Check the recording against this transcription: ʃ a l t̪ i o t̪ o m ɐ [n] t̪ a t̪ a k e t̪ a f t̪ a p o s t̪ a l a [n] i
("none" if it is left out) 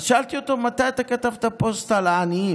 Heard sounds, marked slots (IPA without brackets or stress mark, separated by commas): none, n